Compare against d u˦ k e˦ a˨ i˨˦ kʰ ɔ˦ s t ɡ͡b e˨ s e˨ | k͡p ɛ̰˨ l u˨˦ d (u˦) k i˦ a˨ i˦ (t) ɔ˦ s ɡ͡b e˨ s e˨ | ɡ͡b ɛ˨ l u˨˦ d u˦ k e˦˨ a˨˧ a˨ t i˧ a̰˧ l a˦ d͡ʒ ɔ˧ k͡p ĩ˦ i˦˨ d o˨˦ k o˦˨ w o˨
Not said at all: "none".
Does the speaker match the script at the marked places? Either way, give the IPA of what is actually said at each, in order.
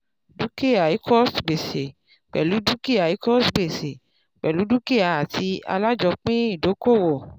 u˦, k

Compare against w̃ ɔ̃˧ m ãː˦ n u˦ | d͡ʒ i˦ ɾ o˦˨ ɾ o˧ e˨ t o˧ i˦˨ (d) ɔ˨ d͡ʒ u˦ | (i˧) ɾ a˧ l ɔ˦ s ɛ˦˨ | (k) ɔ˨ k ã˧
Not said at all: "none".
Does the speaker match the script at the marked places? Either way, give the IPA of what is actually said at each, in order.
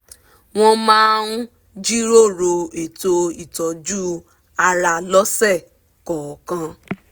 t, a˧, k

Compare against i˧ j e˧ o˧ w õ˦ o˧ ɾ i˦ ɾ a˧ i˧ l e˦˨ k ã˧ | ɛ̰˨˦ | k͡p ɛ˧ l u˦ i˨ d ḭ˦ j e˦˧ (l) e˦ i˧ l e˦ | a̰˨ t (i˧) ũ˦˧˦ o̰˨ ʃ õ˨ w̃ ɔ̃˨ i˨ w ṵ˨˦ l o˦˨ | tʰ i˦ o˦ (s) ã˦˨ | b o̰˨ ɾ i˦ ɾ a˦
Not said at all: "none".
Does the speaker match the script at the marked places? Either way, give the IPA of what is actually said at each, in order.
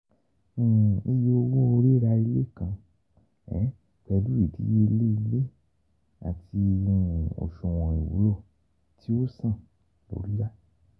l, i˧, s

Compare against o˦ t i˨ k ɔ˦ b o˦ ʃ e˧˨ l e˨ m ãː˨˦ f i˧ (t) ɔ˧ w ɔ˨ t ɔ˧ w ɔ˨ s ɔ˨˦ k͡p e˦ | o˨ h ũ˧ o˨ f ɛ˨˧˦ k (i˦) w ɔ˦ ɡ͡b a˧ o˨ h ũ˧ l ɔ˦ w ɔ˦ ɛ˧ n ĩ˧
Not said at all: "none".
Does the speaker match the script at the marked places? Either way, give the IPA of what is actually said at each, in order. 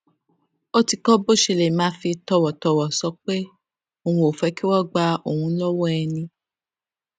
t, i˦

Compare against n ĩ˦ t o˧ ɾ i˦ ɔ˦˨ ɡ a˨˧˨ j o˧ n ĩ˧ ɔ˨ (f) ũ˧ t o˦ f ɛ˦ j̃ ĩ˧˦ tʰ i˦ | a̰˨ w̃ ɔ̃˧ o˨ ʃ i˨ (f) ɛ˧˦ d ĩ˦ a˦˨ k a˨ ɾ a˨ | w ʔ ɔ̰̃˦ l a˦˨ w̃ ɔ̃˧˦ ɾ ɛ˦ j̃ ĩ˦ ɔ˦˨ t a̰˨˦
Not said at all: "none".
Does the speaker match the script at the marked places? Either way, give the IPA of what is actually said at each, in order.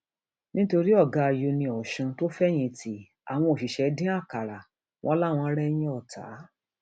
ʃ, ʃ

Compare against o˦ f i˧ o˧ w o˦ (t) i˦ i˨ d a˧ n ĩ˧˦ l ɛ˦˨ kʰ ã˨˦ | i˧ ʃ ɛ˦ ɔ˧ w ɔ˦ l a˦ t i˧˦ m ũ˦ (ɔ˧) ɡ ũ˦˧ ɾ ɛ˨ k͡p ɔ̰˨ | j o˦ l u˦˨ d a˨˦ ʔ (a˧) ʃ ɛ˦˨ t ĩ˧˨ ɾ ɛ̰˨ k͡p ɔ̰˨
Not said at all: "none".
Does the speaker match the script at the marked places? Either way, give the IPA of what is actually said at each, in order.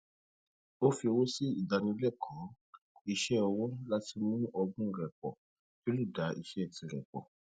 s, ɔ˧, i˧

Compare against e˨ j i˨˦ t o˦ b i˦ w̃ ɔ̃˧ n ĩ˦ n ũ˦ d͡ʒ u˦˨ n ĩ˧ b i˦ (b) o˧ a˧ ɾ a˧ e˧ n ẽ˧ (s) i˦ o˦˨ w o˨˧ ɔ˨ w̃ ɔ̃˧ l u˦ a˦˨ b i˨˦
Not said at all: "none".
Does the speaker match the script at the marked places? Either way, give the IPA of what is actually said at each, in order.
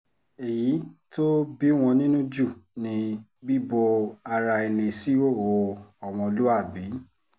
b, s

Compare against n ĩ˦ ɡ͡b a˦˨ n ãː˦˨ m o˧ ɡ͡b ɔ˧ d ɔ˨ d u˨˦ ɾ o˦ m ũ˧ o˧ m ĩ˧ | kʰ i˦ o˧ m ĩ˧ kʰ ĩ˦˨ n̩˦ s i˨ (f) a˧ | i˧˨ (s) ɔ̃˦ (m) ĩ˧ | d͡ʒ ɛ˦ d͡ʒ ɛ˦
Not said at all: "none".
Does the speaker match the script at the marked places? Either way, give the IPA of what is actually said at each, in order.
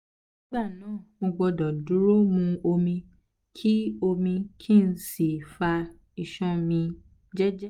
f, ʃ, m

